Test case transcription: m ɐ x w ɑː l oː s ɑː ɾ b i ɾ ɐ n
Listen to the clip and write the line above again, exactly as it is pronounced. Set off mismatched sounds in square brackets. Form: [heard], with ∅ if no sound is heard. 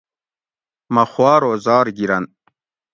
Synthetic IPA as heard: m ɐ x w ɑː [ɾ] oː [z] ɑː ɾ [ɡ] i ɾ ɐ n